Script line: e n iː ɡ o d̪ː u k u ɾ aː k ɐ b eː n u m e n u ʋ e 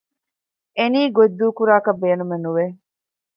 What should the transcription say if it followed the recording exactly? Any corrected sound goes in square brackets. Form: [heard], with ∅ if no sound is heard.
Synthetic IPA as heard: e n iː ɡ o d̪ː [uː] k u ɾ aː k ɐ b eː n u m e n u ʋ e